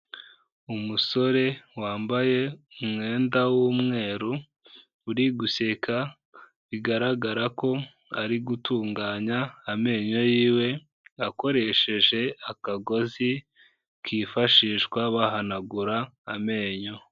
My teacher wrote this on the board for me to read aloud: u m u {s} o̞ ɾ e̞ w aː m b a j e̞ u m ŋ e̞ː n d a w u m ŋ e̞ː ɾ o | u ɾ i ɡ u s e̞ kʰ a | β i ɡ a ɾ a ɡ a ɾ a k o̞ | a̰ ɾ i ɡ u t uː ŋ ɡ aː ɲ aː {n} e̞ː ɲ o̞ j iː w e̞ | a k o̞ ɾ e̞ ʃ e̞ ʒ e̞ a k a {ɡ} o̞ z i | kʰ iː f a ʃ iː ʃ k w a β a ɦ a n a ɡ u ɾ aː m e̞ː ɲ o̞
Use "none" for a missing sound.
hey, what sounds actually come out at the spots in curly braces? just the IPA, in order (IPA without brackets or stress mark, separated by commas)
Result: s, m, ɡ